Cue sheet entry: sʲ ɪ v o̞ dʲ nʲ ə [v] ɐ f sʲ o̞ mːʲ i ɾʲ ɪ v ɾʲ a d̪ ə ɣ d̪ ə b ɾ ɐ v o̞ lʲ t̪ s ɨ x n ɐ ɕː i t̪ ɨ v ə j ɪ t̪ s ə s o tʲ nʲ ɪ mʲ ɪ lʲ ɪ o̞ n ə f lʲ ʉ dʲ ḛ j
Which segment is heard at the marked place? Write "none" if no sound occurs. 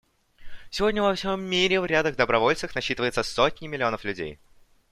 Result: v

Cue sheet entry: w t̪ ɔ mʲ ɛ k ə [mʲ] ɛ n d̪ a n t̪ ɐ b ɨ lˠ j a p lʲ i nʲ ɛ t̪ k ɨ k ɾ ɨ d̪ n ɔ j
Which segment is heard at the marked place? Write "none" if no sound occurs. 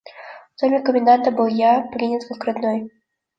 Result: mʲ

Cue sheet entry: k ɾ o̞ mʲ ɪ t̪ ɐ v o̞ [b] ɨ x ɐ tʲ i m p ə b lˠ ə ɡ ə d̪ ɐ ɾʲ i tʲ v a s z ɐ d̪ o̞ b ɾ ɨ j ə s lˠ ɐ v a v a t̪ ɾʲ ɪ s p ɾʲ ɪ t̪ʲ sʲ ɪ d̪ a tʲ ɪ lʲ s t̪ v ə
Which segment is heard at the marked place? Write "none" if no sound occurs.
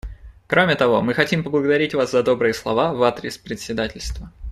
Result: m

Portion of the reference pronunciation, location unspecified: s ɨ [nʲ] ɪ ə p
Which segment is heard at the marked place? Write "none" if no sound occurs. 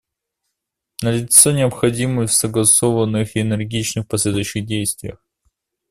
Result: nʲ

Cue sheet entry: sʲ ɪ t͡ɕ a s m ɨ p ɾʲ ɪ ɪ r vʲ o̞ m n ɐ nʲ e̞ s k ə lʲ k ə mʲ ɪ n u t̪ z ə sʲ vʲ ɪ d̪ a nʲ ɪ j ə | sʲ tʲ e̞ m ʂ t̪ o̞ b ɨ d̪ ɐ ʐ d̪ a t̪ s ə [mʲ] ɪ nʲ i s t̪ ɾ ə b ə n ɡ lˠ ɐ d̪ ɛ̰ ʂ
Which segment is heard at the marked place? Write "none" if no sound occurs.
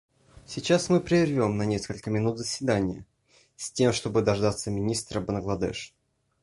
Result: mʲ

